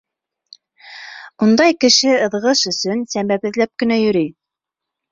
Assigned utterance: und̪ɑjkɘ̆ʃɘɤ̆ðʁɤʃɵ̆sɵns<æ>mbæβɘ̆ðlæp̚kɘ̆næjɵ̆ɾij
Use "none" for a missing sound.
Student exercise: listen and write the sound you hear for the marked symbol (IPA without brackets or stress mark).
æ